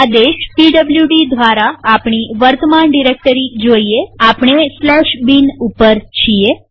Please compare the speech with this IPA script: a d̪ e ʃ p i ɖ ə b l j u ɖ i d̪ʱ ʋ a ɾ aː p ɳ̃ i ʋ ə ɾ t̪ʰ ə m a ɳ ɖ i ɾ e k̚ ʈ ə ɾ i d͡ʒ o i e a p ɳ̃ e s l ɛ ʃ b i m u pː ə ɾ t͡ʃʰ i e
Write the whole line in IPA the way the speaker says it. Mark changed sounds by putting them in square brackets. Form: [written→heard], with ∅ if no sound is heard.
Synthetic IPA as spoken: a d̪ e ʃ p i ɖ ə b l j u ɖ i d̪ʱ ʋ a ɾ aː p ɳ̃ i ʋ ə ɾ [t̪ʰ→t̪] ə m a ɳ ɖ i ɾ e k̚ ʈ ə ɾ i d͡ʒ o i e a p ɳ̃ e s l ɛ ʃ b i [m→n] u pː ə ɾ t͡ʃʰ i e